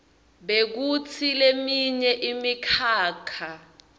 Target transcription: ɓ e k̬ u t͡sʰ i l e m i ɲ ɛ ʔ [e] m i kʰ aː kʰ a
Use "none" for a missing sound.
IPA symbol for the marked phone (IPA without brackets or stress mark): i